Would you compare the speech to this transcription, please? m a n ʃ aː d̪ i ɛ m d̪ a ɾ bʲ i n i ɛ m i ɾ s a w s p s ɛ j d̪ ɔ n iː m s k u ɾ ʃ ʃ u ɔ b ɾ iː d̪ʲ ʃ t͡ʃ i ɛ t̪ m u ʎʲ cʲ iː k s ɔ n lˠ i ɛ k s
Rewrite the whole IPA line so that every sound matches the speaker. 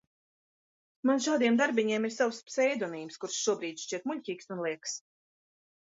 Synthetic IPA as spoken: m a n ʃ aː d̪ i ɛ m d̪ a ɾ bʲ i ɲ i ɛ m i ɾ s a w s p s ɛ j d̪ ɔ n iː m s k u ɾ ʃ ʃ u ɔ b ɾ iː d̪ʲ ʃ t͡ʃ i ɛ t̪ m u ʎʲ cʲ iː k s u n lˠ i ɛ k s